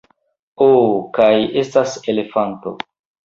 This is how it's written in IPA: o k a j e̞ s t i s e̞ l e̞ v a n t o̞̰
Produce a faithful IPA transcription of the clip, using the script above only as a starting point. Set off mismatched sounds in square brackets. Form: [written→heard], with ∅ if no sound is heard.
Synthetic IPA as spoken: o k a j e̞ s t [i→a] s e̞ l e̞ [v→f] a n t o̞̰